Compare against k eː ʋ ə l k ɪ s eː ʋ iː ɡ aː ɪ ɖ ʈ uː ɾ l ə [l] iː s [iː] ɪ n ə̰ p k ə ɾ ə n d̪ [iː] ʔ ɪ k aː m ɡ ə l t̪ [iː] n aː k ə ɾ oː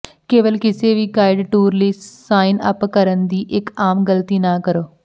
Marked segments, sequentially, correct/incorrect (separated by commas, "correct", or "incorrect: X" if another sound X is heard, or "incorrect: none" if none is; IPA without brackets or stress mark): incorrect: none, incorrect: aː, correct, correct